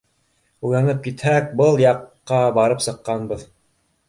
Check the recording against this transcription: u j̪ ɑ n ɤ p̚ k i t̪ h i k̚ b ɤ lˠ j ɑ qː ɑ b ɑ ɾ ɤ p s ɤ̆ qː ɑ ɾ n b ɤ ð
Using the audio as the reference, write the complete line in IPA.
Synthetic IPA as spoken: u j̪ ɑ n ɤ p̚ k i t̪ h æ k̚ b ɤ lˠ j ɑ qː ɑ b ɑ ɾ ɤ p s ɤ̆ qː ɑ n b ɤ ð